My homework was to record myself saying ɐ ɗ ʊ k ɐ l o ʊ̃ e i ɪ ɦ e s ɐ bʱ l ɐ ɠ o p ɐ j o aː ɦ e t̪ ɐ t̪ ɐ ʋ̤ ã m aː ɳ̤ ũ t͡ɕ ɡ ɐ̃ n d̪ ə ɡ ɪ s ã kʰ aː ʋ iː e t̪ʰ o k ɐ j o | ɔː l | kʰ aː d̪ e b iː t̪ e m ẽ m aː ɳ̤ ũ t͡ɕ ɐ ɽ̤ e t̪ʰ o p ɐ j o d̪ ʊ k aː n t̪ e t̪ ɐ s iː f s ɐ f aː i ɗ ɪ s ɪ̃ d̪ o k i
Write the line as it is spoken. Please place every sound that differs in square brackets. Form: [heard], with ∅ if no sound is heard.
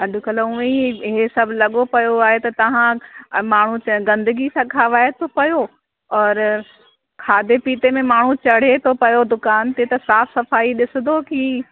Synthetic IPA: ɐ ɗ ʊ k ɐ l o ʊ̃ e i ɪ ɦ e s ɐ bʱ l ɐ ɠ o p ɐ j o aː ɦ e t̪ ɐ t̪ ɐ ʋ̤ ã m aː ɳ̤ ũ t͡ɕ ɡ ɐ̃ n d̪ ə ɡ [i] s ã kʰ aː ʋ [aː] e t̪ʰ o [p] ɐ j o | ɔː [ɾ] | kʰ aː d̪ e [p] iː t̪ e m ẽ m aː ɳ̤ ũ t͡ɕ ɐ ɽ̤ e t̪ʰ o p ɐ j o d̪ ʊ k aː n t̪ e t̪ ɐ s [aː] f s ɐ f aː i ɗ ɪ s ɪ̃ d̪ o k i